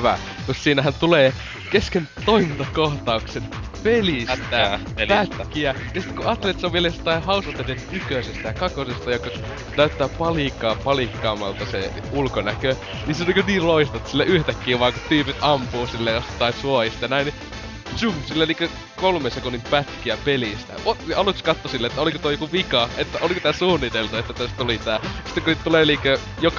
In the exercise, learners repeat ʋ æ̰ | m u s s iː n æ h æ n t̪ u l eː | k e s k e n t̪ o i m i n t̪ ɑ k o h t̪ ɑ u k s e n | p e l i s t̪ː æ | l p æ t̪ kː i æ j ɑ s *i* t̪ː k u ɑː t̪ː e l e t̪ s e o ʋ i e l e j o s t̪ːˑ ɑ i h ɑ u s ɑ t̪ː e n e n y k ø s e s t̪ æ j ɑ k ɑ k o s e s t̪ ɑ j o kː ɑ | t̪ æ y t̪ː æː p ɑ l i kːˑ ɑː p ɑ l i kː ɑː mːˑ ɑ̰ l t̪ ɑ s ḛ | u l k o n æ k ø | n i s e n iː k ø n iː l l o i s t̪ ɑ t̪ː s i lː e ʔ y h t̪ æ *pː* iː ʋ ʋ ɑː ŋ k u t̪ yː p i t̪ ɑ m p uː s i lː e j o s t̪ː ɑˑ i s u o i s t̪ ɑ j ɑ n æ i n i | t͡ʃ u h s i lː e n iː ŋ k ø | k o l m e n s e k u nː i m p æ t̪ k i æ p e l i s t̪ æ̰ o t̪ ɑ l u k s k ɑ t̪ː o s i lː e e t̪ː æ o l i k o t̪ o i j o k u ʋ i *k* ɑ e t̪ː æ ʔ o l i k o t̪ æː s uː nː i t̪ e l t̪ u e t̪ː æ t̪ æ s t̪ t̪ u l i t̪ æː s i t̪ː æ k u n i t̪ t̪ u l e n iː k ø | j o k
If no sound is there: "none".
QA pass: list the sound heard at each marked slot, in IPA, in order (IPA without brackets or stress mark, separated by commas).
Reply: i, kː, k